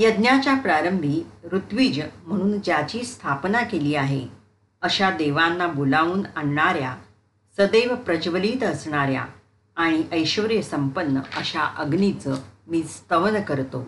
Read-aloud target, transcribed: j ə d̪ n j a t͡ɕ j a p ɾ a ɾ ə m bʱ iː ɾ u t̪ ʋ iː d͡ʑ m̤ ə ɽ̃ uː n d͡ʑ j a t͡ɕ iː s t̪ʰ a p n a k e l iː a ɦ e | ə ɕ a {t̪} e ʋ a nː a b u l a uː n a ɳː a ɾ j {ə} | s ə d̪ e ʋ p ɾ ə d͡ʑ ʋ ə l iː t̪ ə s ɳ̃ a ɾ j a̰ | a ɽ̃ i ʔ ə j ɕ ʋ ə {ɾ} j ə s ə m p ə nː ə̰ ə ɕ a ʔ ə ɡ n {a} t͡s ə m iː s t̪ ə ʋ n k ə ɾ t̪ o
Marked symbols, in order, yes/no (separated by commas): no, no, yes, no